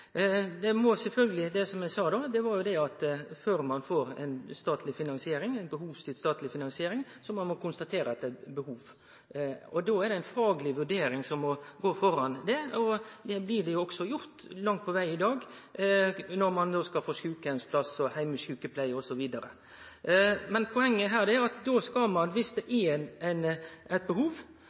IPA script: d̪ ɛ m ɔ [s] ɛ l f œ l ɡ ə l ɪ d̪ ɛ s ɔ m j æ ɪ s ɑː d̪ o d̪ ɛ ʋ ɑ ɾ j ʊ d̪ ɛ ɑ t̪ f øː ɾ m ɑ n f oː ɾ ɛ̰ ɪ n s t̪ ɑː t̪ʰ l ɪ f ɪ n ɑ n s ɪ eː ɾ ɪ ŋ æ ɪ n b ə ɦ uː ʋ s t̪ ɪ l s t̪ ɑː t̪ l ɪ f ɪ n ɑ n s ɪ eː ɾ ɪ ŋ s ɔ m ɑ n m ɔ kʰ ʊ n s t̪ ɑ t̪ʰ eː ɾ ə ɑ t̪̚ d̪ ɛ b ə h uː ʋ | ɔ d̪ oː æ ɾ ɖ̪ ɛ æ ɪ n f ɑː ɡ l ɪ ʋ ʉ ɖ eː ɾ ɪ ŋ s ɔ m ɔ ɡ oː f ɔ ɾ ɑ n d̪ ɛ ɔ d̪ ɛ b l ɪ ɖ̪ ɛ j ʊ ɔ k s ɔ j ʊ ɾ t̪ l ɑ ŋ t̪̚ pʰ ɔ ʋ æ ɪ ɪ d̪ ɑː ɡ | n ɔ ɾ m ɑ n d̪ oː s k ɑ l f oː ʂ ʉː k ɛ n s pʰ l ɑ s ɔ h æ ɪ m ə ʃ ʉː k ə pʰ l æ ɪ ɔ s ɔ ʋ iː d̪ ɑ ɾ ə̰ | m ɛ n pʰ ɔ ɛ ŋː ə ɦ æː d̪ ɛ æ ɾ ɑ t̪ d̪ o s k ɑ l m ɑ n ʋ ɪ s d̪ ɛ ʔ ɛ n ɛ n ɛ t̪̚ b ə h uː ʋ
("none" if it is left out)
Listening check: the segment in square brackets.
s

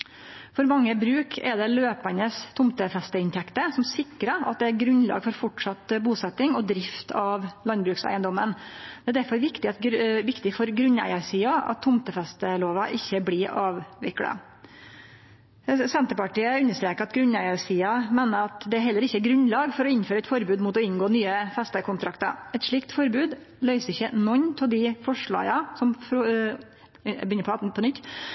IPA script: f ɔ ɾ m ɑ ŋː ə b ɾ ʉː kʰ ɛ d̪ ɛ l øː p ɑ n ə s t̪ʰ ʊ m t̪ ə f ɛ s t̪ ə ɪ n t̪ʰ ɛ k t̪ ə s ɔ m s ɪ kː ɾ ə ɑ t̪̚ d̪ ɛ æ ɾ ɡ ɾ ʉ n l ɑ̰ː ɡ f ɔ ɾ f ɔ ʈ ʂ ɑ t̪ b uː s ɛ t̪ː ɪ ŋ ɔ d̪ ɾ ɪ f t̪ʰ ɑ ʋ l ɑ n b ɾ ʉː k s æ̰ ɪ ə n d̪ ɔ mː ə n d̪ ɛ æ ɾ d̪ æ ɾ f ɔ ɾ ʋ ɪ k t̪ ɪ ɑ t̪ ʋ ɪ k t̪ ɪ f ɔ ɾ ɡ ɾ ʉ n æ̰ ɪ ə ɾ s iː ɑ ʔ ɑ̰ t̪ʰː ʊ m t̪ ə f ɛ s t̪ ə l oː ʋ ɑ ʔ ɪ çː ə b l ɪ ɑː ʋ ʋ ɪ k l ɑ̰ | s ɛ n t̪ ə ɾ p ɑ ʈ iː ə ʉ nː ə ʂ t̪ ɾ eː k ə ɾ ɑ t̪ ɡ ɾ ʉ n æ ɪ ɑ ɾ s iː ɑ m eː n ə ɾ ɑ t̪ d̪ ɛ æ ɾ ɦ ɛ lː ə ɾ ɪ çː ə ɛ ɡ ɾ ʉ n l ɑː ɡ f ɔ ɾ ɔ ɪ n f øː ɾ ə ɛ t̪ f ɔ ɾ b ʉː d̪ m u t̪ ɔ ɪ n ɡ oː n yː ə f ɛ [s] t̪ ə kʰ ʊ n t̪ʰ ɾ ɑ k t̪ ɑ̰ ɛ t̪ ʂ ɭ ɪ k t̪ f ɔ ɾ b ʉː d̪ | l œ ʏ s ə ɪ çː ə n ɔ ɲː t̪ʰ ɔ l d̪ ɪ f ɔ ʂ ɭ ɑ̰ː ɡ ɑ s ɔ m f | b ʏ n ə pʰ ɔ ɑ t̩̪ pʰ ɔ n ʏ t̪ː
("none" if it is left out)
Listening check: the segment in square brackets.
s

